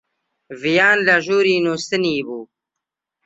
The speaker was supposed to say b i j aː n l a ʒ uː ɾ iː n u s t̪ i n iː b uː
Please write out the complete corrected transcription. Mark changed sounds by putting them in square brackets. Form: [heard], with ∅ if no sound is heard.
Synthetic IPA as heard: [v] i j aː n l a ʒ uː ɾ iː n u s t̪ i n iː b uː